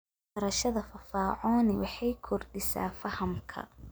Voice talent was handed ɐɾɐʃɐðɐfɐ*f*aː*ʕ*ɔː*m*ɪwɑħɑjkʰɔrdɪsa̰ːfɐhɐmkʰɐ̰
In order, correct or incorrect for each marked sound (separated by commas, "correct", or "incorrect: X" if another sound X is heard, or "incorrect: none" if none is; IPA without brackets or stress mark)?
correct, correct, incorrect: n